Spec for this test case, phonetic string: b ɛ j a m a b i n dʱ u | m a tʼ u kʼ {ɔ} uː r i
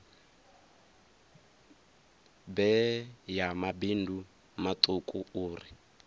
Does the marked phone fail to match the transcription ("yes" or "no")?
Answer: yes